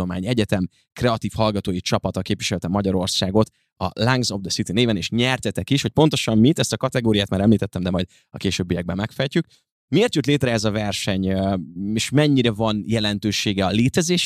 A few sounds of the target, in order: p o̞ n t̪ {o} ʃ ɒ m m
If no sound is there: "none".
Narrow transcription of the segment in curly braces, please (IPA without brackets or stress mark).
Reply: o